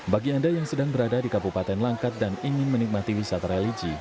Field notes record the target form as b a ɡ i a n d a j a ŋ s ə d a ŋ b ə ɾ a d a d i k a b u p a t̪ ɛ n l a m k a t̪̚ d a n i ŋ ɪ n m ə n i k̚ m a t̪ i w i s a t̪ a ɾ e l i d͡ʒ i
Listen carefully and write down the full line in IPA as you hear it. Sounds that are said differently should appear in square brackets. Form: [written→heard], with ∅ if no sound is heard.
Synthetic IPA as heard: b a ɡ i a n d a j a ŋ s ə d a ŋ b ə ɾ a d a d i k a b u p a t̪ ɛ n l a [m→ŋ] k a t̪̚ d a n i ŋ ɪ n m ə n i k̚ m a t̪ i w i s a t̪ a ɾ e l i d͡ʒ i

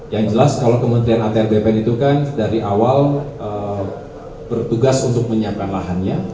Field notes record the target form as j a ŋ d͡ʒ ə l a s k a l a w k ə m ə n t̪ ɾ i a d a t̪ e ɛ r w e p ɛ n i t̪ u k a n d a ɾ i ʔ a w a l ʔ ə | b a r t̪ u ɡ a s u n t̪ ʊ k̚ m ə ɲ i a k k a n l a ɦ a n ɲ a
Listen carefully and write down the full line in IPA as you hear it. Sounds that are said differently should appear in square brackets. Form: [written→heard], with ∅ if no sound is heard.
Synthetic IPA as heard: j a ŋ d͡ʒ ə l a s k a l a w k ə m ə n t̪ ɾ i a [d→n] a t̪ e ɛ r [w→b] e p ɛ n i t̪ u k a n d a ɾ i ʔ a w a l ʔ ə | b [a→ə] r t̪ u ɡ a s u n t̪ ʊ k̚ m ə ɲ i a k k a n l a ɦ a n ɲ a

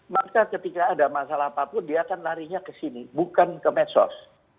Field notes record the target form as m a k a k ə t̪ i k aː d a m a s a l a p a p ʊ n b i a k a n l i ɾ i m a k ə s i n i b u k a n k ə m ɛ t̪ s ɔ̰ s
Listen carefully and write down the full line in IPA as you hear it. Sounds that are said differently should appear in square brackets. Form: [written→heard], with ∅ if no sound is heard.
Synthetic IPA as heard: m a k a k ə t̪ i k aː d a m a s a l a p a p ʊ n [b→d] i a k a n l [i→a] ɾ i [m→ɲ] a k ə s i n i b u k a n k ə m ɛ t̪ s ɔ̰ s

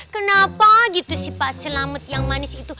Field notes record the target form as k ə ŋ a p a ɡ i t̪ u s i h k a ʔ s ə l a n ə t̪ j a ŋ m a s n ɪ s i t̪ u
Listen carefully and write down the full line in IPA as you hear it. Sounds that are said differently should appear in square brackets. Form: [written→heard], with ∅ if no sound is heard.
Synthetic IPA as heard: k ə [ŋ→n] a p a ɡ i t̪ u s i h [k→p] a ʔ s ə l a [n→m] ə t̪ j a ŋ m a [s→∅] n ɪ s i t̪ u

